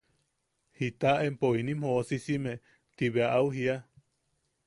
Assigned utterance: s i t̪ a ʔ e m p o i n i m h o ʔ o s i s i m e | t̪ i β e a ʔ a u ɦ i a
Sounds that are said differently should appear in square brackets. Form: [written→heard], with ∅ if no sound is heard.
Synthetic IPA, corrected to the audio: [s→h] i t̪ a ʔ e m p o i n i m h o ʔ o s i s i m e | t̪ i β e a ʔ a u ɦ i a